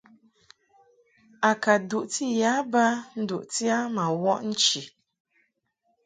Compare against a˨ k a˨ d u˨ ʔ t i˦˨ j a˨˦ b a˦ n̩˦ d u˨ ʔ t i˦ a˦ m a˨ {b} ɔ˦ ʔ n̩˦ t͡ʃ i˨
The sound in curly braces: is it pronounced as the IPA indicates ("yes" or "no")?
no